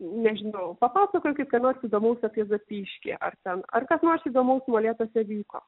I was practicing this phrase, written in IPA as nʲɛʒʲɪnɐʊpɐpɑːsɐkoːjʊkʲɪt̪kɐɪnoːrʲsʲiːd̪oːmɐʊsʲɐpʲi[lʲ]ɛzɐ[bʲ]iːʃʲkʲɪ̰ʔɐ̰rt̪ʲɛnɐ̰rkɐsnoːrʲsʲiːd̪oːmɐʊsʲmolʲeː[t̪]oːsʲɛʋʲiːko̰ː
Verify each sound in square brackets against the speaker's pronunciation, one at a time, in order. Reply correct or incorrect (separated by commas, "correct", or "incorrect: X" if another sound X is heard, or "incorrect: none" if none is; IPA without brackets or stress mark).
incorrect: none, incorrect: pʲ, correct